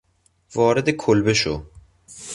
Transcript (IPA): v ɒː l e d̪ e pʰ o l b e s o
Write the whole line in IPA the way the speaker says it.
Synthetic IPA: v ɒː ɾ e d̪ e kʰ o l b e ʃ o